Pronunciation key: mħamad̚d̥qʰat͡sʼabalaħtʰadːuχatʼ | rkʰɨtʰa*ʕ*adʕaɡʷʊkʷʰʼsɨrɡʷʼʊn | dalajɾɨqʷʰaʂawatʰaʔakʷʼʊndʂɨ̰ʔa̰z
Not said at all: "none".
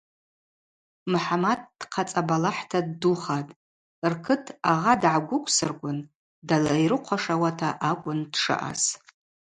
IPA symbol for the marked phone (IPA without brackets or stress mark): ʁ